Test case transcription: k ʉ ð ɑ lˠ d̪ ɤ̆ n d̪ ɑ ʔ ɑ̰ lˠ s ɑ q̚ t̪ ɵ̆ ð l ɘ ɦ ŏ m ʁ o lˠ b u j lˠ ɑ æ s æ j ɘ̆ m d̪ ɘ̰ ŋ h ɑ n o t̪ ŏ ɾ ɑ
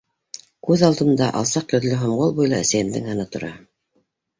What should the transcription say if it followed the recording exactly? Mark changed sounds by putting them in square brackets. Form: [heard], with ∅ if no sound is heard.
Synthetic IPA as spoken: k ʉ ð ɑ lˠ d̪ ɤ̆ n d̪ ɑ ʔ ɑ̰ lˠ s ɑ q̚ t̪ ɵ̆ ð l ɘ ɦ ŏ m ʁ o lˠ b u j lˠ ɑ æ s æ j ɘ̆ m d̪ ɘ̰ ŋ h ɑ n [ɤ] t̪ ŏ ɾ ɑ